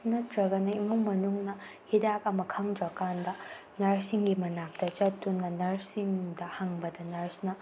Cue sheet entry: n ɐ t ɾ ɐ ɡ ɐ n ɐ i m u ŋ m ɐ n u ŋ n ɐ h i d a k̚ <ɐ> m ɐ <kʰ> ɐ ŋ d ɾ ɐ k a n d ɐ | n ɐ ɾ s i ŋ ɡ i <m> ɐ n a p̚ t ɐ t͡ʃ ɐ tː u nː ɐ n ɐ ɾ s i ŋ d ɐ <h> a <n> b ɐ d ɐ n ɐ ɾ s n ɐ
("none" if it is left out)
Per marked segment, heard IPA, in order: ɐ, kʰ, m, h, ŋ

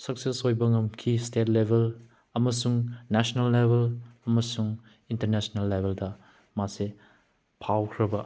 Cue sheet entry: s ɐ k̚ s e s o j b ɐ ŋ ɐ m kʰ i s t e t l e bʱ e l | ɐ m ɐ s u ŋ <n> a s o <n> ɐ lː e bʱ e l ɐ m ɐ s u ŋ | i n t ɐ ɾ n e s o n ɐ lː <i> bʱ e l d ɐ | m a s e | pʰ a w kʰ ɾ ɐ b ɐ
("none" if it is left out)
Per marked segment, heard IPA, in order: n, n, e

